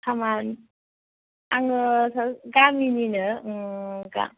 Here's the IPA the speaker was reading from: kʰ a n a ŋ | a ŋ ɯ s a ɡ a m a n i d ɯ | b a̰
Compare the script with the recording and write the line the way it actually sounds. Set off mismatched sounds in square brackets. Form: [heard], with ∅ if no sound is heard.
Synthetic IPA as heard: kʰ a [m] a [n] | a ŋ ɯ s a ɡ a m [i] n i [n] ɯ | [ɡ] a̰